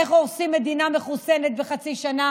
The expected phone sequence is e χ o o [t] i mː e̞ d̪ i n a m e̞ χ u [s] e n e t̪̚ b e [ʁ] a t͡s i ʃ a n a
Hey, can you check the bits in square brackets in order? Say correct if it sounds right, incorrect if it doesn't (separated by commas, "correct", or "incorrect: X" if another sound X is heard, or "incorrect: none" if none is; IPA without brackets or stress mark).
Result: incorrect: s, correct, incorrect: χ